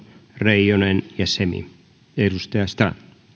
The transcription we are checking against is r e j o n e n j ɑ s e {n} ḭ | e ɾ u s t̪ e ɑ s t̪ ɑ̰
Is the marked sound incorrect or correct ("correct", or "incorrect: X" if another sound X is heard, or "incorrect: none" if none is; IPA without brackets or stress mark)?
incorrect: m